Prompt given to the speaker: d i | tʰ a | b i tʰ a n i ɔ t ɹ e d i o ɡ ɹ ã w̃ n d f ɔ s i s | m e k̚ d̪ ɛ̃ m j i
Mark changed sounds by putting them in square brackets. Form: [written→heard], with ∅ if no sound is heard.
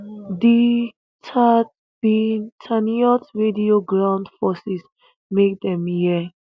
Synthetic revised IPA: d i | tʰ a | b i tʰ a n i ɔ t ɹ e d i o ɡ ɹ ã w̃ n d f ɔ s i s | m e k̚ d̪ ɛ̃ m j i